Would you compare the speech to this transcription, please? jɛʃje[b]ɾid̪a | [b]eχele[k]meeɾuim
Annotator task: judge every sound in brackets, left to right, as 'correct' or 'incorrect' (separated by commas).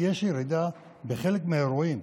incorrect, correct, correct